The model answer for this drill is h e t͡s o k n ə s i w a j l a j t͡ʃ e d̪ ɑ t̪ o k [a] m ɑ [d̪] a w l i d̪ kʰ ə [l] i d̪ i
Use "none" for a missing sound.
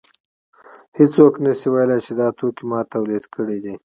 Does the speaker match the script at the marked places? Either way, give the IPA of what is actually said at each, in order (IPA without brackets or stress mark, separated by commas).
i, t̪, ɽ